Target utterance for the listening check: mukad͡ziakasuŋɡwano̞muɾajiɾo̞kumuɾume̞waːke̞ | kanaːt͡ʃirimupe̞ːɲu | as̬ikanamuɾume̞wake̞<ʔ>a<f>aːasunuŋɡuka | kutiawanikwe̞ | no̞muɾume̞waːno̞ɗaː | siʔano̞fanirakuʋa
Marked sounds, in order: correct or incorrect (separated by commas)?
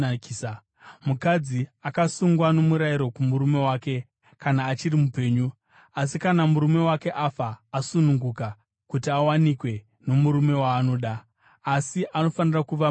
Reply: correct, correct